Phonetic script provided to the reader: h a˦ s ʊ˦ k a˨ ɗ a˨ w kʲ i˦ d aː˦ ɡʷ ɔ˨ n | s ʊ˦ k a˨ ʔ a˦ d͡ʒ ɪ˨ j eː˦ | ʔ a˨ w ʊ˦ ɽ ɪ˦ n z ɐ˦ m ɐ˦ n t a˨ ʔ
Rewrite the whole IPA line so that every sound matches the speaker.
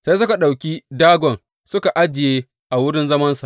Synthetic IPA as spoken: s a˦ s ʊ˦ k a˨ ɗ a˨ w kʲ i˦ d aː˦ ɡʷ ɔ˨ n | s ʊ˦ k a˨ ʔ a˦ d͡ʒ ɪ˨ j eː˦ | ʔ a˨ w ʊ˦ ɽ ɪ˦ n z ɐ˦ m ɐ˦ n s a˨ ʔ